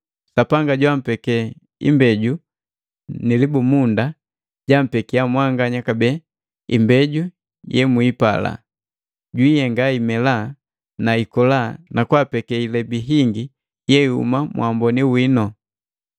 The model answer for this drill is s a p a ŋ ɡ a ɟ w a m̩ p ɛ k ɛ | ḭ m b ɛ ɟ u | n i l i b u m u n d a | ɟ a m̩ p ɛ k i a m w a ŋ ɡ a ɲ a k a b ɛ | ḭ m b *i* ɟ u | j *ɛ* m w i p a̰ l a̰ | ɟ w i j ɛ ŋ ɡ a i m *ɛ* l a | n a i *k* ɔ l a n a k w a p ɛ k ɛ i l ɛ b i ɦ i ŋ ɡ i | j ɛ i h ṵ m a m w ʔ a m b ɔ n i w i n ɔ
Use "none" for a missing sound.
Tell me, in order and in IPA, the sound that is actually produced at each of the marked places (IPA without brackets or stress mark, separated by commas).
ɛ, ɛ, ɛ, k